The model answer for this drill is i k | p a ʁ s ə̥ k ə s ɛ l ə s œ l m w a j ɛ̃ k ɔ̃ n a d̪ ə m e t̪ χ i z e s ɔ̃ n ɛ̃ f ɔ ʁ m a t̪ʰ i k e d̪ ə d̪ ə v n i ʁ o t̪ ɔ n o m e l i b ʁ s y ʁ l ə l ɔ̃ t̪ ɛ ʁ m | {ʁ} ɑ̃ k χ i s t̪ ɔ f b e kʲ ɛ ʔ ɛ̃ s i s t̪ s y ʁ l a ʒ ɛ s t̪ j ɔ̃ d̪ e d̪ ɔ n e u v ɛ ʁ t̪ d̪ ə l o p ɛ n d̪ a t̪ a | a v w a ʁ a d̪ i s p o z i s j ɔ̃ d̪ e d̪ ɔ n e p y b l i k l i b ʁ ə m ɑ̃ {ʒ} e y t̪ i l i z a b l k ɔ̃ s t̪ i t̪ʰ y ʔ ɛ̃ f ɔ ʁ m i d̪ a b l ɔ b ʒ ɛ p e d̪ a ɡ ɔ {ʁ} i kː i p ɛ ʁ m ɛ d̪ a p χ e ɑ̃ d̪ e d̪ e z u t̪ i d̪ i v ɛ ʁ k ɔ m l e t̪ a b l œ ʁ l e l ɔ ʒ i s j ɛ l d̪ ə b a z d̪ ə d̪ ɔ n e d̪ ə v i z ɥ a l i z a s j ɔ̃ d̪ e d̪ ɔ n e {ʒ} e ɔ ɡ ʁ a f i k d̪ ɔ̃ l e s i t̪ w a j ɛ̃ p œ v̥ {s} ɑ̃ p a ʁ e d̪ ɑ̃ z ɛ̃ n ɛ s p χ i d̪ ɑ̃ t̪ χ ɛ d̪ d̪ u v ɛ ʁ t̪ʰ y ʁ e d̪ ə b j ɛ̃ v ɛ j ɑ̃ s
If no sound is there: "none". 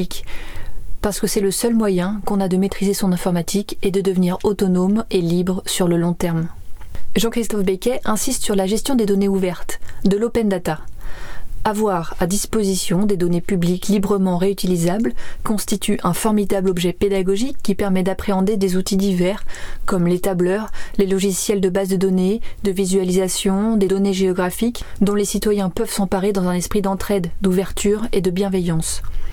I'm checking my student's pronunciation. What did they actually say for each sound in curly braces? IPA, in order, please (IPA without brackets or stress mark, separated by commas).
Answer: ʒ, ʁ, ʒ, ʒ, s